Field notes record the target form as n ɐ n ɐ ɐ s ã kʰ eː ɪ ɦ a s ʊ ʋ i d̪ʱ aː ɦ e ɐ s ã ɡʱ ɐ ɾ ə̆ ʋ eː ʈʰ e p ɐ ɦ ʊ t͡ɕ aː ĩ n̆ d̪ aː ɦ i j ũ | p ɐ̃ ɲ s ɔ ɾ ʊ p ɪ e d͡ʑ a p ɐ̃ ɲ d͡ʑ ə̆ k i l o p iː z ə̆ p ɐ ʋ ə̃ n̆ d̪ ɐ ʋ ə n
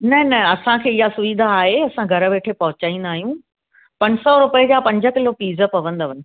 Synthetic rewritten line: n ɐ n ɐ ɐ s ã kʰ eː ɪ ɦ a s ʊ ʋ i d̪ʱ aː ɦ e ɐ s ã ɡʱ ɐ ɾ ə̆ ʋ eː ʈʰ e p ɐ ɦ ʊ t͡ɕ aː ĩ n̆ d̪ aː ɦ i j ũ | p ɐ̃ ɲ s ɔ ɾ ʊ p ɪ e d͡ʑ a p ɐ̃ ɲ d͡ʑ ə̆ k ɪ l o p iː z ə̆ p ɐ ʋ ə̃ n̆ d̪ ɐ ʋ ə n